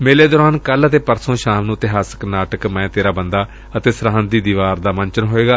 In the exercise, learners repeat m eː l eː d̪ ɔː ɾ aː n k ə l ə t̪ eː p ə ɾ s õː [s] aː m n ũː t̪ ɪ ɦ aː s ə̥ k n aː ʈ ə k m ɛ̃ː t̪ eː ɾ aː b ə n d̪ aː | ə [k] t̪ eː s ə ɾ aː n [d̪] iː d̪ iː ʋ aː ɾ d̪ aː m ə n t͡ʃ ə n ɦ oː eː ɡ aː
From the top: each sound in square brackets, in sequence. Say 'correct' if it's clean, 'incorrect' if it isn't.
incorrect: ʃ, incorrect: none, correct

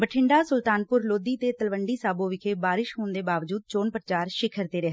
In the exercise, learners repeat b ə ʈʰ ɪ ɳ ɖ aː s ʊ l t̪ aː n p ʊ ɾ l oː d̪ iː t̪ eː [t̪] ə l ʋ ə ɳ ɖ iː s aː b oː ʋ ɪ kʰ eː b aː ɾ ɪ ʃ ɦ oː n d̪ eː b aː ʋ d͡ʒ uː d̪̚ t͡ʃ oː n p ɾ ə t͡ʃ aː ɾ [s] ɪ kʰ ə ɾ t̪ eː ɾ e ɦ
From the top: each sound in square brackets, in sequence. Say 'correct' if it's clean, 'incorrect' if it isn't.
correct, incorrect: ʃ

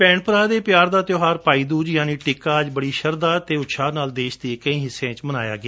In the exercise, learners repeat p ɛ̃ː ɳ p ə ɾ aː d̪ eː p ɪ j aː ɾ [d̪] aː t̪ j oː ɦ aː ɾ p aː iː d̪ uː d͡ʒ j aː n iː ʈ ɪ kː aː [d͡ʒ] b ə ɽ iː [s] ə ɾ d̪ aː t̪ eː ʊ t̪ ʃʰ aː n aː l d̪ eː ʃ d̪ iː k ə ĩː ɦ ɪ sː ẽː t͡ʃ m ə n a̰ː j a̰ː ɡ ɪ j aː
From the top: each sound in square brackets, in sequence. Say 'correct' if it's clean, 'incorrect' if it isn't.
correct, correct, incorrect: ʃ

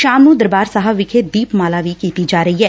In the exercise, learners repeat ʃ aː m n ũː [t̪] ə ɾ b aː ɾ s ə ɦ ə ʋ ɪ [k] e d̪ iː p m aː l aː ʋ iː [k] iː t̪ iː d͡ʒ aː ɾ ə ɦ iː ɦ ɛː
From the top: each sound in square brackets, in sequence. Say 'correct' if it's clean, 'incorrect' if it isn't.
incorrect: d̪, incorrect: kʰ, correct

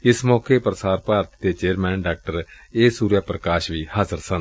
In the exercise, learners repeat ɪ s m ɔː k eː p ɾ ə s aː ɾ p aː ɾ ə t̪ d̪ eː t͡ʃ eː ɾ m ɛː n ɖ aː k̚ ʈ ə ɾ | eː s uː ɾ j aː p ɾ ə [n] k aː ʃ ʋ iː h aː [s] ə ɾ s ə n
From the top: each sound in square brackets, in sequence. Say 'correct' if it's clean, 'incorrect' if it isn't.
incorrect: none, incorrect: z

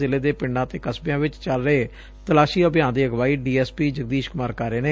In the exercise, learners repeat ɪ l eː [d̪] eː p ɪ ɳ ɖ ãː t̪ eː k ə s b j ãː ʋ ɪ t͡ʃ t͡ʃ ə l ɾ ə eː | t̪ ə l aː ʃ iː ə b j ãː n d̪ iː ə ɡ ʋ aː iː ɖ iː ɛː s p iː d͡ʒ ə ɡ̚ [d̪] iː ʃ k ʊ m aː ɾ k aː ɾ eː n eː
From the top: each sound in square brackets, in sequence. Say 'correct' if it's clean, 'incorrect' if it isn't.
correct, correct

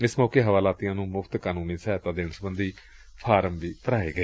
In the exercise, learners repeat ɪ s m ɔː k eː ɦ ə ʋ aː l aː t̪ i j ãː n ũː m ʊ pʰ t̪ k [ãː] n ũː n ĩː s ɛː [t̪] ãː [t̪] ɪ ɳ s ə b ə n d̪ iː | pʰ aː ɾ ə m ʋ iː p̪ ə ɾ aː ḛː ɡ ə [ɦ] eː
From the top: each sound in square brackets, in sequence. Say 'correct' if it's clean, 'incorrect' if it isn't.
incorrect: aː, correct, incorrect: d̪, incorrect: none

